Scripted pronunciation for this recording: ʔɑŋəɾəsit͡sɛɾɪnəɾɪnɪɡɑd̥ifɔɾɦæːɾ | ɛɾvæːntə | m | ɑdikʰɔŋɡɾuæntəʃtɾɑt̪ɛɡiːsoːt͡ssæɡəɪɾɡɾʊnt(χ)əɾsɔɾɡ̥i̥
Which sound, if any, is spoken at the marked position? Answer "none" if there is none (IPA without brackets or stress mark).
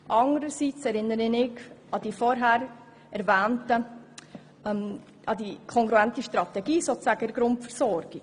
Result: f